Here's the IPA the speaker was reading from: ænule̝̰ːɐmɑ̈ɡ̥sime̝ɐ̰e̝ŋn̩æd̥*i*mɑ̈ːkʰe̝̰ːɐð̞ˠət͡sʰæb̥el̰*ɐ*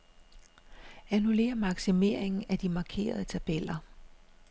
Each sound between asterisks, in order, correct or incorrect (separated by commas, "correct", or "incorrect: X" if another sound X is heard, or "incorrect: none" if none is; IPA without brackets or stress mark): correct, correct